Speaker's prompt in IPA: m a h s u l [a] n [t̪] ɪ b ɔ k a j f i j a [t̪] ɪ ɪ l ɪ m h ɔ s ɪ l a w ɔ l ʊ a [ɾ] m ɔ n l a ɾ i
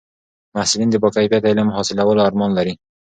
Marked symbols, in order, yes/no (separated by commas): no, no, yes, yes